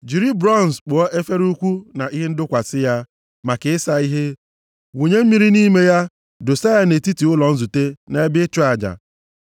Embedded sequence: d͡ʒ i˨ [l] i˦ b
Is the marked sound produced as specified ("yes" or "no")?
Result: no